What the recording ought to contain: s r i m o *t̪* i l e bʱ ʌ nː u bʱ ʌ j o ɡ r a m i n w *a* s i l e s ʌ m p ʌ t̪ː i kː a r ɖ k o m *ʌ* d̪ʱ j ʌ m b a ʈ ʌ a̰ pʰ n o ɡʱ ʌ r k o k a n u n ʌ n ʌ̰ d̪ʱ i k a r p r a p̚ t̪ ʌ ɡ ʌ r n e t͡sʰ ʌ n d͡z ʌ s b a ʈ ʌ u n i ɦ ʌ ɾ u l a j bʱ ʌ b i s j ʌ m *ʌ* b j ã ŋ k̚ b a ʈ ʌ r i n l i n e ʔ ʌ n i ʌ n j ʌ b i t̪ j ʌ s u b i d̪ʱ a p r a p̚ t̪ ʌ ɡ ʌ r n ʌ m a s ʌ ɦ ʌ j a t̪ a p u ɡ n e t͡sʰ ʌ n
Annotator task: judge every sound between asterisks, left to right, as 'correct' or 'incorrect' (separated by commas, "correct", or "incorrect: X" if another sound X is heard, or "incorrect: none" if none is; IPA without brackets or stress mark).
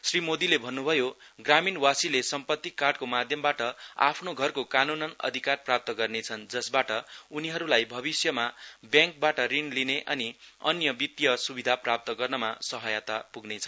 incorrect: d̪, correct, incorrect: a, incorrect: a